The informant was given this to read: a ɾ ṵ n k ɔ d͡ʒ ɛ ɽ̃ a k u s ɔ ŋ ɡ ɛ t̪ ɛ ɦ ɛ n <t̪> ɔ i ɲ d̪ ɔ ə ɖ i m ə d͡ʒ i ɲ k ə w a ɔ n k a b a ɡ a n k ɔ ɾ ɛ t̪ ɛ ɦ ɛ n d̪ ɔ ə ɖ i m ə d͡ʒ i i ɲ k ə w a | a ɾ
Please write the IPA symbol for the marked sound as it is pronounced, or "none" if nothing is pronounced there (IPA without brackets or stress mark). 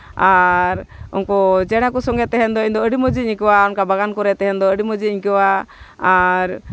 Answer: d̪